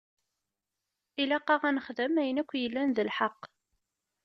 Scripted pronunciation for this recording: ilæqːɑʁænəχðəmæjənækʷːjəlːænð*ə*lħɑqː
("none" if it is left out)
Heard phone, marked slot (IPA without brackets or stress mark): ə